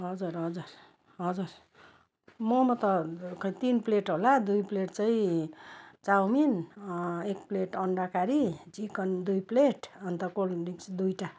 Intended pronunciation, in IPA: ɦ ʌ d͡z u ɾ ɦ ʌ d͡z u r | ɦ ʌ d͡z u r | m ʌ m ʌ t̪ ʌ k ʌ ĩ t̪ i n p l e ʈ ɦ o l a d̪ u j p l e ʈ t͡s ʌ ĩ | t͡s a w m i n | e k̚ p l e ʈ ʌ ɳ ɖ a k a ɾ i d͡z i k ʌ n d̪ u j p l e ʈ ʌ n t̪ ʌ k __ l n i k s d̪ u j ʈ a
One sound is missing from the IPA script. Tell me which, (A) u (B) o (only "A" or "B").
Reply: B